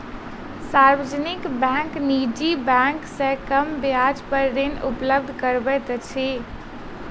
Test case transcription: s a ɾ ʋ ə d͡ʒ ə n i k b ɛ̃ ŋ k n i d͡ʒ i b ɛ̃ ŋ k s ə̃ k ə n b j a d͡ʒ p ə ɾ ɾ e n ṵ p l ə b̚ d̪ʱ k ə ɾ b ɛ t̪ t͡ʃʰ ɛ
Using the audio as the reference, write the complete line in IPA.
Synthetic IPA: s a ɾ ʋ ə d͡ʒ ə n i k b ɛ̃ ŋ k n i d͡ʒ i b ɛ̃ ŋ k s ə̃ k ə m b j a d͡ʒ p ə ɾ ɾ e n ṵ p l ə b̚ d̪ʱ k ə ɾ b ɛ t̪ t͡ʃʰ i